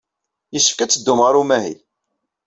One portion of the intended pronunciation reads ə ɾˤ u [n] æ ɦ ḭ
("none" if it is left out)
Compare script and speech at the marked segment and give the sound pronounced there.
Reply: m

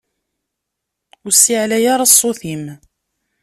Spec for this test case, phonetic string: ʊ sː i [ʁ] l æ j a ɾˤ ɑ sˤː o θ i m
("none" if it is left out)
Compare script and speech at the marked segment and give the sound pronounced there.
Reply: ʕ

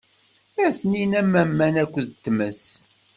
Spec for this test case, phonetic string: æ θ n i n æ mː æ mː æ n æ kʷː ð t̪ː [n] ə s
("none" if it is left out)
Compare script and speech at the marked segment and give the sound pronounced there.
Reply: m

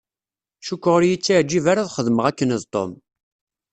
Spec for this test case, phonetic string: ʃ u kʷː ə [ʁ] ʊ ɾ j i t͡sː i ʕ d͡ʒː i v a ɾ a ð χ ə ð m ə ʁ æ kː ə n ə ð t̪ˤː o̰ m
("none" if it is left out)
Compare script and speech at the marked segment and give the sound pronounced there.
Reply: ʁ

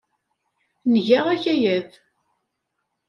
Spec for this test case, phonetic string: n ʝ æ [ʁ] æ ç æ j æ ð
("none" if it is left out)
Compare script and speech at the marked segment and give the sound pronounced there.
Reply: ʁ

